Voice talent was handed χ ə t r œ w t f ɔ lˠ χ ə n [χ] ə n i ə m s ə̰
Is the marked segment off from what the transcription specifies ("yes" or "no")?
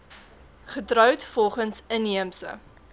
yes